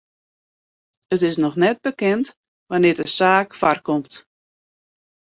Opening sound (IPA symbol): ə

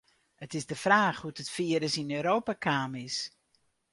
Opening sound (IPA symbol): ə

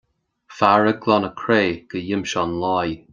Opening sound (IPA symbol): f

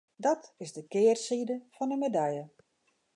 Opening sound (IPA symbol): d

